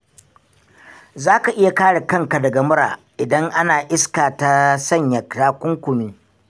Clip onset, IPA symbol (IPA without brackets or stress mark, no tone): z